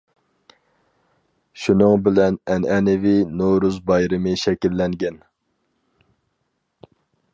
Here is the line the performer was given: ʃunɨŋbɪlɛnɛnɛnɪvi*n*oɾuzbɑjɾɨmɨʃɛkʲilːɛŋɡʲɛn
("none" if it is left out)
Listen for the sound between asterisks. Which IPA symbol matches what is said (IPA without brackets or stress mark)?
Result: n